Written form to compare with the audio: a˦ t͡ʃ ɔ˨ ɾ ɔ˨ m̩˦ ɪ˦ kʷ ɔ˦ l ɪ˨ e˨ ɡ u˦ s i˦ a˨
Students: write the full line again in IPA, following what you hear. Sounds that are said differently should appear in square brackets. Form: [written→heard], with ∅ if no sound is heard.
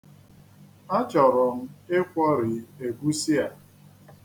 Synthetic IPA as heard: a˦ t͡ʃ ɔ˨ ɾ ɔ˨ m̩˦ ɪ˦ kʷ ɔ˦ [l→ɾ] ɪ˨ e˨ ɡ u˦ s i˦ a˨